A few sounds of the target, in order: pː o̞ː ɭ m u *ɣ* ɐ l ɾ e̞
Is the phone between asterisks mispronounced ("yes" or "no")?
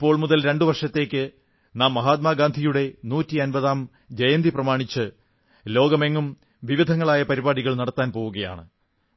yes